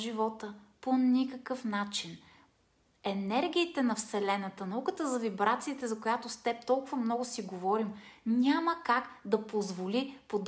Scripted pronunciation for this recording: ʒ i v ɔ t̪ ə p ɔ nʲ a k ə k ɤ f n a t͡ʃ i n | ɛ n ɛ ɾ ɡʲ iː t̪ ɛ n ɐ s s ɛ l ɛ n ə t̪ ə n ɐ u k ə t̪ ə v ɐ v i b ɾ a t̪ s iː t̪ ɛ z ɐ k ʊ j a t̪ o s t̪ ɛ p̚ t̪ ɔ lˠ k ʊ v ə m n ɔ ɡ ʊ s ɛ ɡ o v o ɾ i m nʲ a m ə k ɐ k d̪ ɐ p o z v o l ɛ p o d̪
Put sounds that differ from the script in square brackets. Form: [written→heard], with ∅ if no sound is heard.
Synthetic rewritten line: ʒ i v ɔ t̪ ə p [ɔ→o] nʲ [a→i] k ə k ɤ f n a t͡ʃ i n | ɛ n ɛ ɾ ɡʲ iː t̪ ɛ n ɐ [s→f] s ɛ l ɛ n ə t̪ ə n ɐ u k ə t̪ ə [v→z] ɐ v i b ɾ a t̪ s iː t̪ ɛ z ɐ k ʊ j a t̪ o s t̪ ɛ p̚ t̪ ɔ lˠ k ʊ v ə m n ɔ ɡ ʊ s [ɛ→i] ɡ o v [o→ɔ] ɾ i m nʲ a m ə k [ɐ→a] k d̪ ɐ p o z v o l [ɛ→i] p o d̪